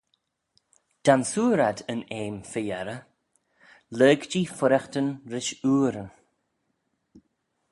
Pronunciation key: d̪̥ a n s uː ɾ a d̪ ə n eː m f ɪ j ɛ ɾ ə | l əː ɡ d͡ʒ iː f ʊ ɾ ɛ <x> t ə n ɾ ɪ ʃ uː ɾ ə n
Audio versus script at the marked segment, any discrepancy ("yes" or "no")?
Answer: no